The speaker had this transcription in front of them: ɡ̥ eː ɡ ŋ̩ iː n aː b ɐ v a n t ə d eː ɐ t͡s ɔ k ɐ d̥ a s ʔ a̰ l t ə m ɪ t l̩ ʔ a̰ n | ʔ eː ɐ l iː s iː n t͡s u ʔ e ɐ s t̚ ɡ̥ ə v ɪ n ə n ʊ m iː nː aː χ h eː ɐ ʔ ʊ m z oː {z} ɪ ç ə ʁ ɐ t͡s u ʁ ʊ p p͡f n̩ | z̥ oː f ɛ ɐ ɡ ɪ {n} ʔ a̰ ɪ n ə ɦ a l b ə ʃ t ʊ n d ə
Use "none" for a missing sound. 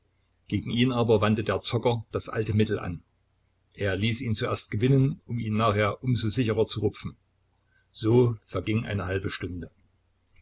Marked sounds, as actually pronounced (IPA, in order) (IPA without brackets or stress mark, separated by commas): z, ŋ